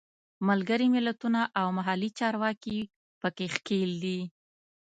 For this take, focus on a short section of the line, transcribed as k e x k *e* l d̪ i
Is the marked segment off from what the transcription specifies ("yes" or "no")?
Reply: no